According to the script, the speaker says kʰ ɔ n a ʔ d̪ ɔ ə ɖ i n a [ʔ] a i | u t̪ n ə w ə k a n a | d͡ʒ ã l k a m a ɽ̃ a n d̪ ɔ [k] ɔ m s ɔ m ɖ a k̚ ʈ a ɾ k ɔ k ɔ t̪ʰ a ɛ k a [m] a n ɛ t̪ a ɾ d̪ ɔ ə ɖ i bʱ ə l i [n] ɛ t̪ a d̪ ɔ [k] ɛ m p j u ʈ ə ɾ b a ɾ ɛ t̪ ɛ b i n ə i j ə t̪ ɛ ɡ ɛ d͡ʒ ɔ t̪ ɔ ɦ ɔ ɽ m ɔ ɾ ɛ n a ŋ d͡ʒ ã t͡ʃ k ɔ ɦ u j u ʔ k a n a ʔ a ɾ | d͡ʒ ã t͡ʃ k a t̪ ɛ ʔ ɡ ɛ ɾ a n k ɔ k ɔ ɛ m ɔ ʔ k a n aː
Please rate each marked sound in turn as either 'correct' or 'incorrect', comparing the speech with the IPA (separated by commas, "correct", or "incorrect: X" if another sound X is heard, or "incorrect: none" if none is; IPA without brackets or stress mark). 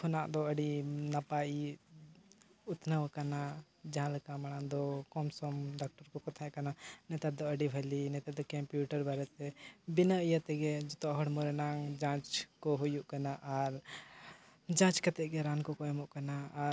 incorrect: p, correct, incorrect: n, correct, correct